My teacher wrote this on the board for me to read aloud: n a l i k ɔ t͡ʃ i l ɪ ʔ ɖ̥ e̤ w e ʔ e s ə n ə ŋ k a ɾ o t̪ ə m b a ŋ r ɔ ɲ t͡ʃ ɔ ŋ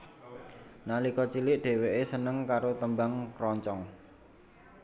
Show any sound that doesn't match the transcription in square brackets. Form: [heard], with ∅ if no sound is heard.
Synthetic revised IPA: n a l i k ɔ t͡ʃ i l ɪ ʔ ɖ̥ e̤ w e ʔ e s ə n ə ŋ k a ɾ o t̪ ə m b a ŋ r ɔ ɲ t͡ʃ ɔ ŋ